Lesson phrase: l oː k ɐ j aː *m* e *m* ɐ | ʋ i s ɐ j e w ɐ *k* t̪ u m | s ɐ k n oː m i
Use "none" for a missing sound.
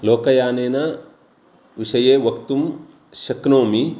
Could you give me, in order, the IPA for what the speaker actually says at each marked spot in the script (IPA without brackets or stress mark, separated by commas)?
n, n, k